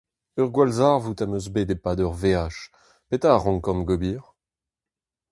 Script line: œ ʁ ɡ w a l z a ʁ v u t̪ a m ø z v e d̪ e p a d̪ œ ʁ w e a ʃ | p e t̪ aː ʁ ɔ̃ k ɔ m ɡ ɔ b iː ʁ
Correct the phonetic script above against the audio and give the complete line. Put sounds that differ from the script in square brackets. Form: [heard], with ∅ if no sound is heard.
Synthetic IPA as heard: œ ʁ ɡ w a l z a ʁ v u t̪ a m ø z [b] e d̪ e p a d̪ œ ʁ [v] e a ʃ | p e t̪ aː ʁ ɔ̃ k ɔ m ɡ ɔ b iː ʁ